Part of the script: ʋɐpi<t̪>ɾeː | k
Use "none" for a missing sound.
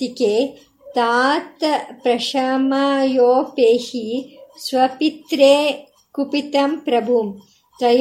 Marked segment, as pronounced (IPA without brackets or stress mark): t̪